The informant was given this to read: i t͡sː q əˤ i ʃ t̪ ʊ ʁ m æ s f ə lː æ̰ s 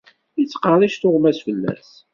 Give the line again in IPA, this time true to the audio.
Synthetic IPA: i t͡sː q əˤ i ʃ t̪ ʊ ʁ m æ s f ə lː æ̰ s

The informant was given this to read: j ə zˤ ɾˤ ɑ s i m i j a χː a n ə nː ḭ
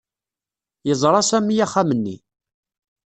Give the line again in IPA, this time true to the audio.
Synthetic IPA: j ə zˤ ɾˤ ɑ s æ m i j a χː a m ə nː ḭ

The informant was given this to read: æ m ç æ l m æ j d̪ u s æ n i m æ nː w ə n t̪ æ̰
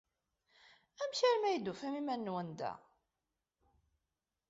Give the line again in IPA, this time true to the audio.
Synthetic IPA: æ m ç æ ɾ m æ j d̪ u f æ m i m æ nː w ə n d̪ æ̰

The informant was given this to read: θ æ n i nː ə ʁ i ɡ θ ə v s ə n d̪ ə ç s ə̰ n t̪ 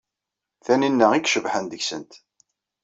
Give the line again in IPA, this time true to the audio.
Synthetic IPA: θ æ n i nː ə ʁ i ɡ ʃ ə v ħ ə n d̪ ə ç s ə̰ n t̪

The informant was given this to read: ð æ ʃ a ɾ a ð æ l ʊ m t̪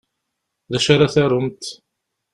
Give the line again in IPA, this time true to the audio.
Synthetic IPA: ð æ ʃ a ɾ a θ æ ɾ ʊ m t̪

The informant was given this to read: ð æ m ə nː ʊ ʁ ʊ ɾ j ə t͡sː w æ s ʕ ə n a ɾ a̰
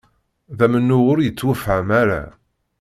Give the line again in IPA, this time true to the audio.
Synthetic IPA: ð æ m ə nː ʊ ʁ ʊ ɾ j ə t͡sː w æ f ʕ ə m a ɾ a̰

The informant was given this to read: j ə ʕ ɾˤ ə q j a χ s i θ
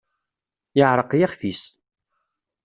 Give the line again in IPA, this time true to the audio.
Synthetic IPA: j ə ʕ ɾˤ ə q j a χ θ i s

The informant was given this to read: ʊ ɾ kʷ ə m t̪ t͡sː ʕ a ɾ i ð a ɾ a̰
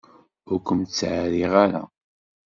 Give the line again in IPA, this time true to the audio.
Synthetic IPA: ʊ ɾ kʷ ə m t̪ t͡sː ʕ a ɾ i ʁ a ɾ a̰

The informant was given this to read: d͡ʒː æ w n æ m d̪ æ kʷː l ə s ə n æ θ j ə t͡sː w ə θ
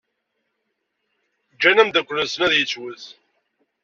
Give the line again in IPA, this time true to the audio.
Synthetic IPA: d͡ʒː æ n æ m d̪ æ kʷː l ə s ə n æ ð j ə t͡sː w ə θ

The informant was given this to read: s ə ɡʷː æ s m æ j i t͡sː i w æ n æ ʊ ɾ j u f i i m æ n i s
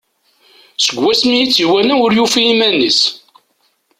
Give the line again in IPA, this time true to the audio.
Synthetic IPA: s ə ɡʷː æ s m i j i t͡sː i w æ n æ ʊ ɾ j u f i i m æ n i s

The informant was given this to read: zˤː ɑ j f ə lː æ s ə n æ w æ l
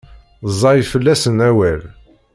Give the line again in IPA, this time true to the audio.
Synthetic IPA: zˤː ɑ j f ə lː æ s ə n æ w æ l

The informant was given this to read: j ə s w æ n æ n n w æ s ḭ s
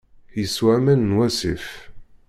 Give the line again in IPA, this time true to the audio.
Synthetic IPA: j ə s w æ m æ n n w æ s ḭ f

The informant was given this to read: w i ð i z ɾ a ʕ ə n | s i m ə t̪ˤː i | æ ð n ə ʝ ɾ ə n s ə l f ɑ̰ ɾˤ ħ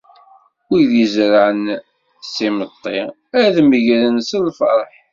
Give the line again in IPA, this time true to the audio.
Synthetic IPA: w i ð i z ɾ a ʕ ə n | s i m ə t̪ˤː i | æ ð m ə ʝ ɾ ə n s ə l f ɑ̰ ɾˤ ħ

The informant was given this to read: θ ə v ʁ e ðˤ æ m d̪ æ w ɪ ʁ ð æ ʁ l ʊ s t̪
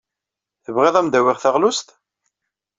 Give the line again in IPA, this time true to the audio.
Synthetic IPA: θ ə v ʁ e ðˤ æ m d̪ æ w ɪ ʁ θ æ ʁ l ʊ s t̪

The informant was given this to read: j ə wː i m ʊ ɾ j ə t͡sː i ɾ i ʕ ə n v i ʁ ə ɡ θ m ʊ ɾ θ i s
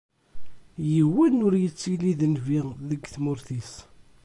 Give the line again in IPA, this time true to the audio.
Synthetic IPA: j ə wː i n ʊ ɾ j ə t͡sː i l i ð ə n v i ð ə ɡ θ m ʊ ɾ θ i s

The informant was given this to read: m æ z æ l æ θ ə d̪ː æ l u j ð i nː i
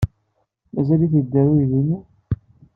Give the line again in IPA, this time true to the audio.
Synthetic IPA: m æ z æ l i θ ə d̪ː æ ɾ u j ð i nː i

